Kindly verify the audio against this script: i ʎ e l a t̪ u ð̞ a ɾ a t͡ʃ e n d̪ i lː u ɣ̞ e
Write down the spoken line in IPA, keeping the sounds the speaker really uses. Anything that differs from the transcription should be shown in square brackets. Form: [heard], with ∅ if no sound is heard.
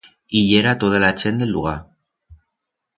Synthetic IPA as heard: i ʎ e [ɾ] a t̪ [o] ð̞ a [l] a t͡ʃ e n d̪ [e] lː u ɣ̞ [a]

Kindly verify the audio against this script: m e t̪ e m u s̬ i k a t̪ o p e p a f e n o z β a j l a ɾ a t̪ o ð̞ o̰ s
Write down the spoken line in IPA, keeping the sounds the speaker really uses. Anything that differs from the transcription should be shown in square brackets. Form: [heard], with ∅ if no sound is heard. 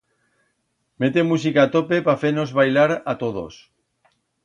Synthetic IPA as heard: m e t̪ e m u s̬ i k a t̪ o p e p a f e n o z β a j l a ɾ a t̪ o ð̞ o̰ s

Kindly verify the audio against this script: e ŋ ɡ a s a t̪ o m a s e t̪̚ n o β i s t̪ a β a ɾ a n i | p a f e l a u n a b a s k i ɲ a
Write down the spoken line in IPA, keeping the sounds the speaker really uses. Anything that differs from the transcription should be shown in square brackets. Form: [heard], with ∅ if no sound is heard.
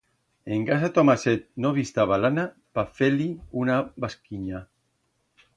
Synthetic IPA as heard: e ŋ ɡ a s a t̪ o m a s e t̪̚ n o β i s t̪ a β a [l] a n [a] | p a f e l [i] u n a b a s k i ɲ a

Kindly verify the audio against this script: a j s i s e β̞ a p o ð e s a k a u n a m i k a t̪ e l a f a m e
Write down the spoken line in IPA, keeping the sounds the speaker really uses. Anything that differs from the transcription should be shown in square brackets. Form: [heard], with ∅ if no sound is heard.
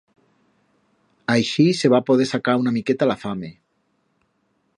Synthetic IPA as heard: a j [ʃ] i s e β̞ a p o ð e s a k a u n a m i k [e] t̪ [a] l a f a m e

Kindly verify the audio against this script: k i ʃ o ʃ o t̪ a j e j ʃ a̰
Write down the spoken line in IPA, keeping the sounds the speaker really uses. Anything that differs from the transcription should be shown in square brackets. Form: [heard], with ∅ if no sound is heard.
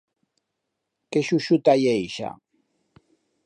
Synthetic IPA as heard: k [e] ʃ [u] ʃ [u] t̪ a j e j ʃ a̰

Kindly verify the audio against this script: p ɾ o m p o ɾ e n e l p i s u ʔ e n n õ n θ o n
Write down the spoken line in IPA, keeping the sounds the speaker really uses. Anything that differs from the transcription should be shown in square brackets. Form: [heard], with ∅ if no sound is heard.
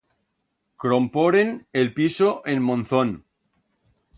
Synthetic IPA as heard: [k] ɾ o m p o ɾ e n e l p i s [o] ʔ e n [m] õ n θ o n

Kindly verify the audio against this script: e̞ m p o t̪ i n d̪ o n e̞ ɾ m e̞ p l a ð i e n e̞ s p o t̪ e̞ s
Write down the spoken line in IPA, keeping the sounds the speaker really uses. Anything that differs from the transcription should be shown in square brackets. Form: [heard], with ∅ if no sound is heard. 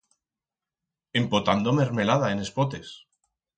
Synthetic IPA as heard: e̞ m p o t̪ [a] n d̪ o [m] e̞ ɾ m e̞ [∅] l a ð [a] e n e̞ s p o t̪ e̞ s

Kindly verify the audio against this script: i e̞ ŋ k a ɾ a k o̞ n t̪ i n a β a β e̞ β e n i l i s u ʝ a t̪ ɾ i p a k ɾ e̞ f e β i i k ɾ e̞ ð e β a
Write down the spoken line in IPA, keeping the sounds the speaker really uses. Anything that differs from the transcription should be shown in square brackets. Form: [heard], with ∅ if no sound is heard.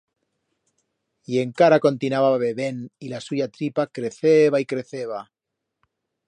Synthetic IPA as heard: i e̞ ŋ k a ɾ a k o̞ n t̪ i n a β a β e̞ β e n i l [a] s u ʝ a t̪ ɾ i p a k ɾ e̞ [θ] e β [a] i k ɾ e̞ [θ] e β a

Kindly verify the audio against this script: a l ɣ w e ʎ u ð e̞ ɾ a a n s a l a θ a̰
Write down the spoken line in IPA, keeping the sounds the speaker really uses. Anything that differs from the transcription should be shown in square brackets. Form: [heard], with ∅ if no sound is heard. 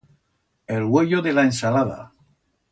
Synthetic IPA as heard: [e] l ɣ w e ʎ [o] ð e̞ [l] a [e] n s a l a [ð] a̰

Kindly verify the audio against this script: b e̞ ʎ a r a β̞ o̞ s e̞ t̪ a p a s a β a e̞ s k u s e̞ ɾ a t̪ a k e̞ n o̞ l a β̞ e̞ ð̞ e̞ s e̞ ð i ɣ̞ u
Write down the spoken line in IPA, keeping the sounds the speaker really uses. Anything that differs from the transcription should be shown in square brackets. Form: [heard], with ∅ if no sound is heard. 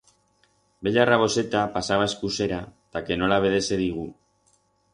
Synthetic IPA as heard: b e̞ ʎ a r a β̞ o̞ s e̞ t̪ a p a s a β a e̞ s k u s e̞ ɾ a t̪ a k e̞ n o̞ l a β̞ e̞ ð̞ e̞ s e̞ ð i ɣ̞ u

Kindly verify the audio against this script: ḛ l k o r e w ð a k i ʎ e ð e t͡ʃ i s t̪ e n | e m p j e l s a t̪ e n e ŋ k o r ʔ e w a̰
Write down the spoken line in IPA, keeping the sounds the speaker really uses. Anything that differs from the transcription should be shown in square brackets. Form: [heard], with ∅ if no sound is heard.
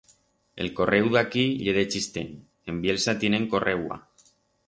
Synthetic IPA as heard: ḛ l k o r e w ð a k i ʎ e ð e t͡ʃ i s t̪ e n | e m [b] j e l s a t̪ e n e ŋ k o r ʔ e w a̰

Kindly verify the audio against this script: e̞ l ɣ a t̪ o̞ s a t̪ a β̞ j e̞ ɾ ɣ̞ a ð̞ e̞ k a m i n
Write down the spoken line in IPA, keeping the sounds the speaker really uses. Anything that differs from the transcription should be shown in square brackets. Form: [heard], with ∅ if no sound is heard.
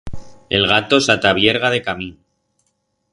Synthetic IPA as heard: e̞ l ɣ a t̪ o̞ s a t̪ a β̞ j e̞ ɾ ɣ̞ a ð̞ e̞ k a m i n

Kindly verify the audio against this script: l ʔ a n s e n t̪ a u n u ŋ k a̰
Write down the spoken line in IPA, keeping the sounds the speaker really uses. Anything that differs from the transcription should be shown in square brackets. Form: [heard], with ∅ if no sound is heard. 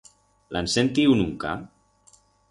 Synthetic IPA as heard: l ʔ a n s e n t̪ [i] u n u ŋ k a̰

